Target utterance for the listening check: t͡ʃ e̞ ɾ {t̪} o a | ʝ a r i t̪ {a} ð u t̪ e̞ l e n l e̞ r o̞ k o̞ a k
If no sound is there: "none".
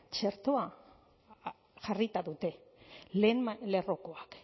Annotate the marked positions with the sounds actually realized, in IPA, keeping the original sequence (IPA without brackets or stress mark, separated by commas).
t̪, a